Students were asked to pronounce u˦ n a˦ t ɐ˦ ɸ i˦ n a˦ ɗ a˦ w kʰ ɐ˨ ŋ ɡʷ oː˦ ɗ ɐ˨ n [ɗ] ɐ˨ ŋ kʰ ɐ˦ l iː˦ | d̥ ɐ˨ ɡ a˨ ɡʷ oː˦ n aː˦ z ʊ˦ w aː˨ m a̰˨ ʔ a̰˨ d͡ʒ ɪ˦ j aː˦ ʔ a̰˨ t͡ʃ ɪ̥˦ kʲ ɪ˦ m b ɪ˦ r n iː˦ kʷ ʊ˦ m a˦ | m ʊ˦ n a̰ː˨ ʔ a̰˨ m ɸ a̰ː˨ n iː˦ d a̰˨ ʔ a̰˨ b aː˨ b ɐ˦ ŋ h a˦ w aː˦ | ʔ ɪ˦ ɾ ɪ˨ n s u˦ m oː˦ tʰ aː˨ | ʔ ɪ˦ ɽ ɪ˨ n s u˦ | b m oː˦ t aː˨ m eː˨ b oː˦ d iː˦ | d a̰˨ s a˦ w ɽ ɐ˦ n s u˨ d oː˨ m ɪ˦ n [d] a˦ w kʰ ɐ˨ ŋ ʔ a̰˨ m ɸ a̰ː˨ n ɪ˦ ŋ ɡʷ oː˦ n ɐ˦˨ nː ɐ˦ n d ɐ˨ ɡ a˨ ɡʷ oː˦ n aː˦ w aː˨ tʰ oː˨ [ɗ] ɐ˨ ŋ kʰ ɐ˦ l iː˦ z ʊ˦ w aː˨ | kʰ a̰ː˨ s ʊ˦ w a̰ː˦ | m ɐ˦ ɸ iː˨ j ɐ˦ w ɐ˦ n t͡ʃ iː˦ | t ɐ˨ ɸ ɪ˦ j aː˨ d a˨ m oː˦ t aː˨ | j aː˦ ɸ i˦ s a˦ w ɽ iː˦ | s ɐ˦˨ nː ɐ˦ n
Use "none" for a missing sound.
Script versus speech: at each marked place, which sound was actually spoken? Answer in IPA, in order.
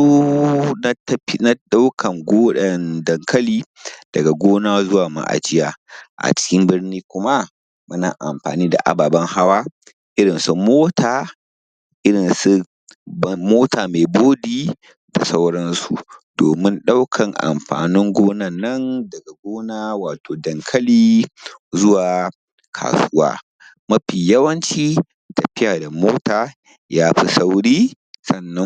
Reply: d, ɗ, d

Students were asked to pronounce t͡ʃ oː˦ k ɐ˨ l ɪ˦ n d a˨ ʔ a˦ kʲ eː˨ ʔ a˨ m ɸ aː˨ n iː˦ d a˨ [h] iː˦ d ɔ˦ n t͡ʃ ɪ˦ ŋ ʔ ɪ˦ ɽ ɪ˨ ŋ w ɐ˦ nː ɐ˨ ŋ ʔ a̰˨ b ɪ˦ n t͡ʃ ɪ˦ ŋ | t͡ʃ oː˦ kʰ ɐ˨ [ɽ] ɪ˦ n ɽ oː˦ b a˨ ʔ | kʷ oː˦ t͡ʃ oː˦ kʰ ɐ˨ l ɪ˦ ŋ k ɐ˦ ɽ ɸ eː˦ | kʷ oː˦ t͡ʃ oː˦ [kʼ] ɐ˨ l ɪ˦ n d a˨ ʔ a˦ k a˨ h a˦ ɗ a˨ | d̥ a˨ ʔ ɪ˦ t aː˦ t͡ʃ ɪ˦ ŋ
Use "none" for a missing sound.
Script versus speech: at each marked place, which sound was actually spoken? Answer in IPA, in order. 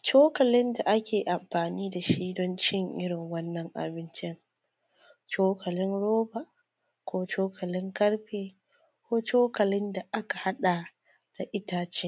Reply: ʃ, l, k

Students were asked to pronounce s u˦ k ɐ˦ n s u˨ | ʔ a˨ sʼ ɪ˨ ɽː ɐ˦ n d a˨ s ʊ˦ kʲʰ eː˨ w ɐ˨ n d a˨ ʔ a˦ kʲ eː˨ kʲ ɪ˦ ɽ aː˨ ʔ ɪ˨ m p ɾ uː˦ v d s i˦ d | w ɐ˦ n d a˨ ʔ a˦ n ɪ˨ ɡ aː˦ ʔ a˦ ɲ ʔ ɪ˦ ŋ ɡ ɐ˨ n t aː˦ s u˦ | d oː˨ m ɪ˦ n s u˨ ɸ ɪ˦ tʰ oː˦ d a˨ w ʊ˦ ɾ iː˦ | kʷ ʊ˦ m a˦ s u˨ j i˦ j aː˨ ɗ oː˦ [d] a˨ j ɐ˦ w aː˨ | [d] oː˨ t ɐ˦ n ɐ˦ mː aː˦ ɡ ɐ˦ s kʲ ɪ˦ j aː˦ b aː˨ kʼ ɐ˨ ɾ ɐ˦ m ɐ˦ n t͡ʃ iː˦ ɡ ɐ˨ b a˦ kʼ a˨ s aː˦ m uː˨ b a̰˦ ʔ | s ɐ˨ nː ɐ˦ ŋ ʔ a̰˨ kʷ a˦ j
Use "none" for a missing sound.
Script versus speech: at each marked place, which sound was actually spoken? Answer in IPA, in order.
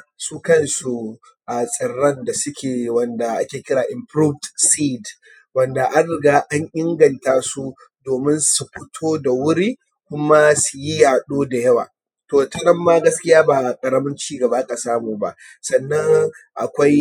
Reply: d, t

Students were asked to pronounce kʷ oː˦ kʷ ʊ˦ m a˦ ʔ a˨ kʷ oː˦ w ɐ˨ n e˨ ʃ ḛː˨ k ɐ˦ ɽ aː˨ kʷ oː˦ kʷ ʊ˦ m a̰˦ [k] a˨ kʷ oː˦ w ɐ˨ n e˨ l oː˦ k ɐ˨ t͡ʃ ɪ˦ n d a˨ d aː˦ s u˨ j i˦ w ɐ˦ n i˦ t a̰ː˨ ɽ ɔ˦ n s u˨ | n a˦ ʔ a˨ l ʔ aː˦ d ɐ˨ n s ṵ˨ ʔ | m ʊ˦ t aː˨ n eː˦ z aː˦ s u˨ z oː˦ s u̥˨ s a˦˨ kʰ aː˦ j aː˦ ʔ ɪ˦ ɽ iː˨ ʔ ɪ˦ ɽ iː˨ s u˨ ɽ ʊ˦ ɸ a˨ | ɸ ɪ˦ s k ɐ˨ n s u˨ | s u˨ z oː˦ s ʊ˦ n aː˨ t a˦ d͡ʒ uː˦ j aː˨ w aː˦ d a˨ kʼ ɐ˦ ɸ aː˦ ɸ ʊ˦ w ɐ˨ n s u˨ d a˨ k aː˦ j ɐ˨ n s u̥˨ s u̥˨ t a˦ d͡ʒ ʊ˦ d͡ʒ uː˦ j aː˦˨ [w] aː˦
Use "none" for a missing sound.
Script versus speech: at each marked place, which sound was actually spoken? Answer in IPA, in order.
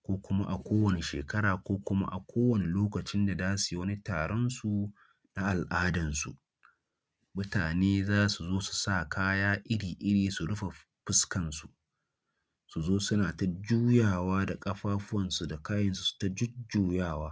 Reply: ʔ, w

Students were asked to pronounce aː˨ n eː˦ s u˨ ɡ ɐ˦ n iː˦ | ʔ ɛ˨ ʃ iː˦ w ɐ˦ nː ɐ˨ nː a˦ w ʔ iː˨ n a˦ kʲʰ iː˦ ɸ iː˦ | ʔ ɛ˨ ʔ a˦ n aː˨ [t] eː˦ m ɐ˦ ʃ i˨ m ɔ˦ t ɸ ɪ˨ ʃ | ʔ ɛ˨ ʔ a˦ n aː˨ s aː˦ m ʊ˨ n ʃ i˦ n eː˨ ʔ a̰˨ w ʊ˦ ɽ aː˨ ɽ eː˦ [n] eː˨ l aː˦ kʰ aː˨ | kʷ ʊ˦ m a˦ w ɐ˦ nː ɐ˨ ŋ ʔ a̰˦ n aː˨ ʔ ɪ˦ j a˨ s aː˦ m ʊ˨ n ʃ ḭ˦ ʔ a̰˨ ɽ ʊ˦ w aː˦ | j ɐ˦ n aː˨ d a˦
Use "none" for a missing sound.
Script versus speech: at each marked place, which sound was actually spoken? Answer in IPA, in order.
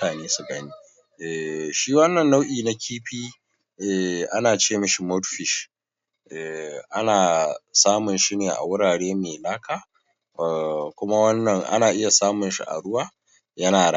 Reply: t͡ʃ, m

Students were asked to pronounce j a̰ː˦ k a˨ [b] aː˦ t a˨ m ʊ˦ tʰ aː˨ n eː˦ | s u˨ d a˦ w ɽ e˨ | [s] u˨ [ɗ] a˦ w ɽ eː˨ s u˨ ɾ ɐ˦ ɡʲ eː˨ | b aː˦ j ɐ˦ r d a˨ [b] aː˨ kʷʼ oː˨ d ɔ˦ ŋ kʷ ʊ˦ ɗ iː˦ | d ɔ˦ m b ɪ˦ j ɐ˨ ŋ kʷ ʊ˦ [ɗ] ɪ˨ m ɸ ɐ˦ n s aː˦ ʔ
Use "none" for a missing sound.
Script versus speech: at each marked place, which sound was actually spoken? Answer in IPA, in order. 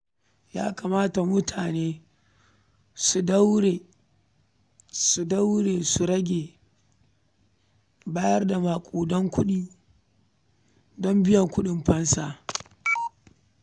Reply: m, s, d, m, ɗ

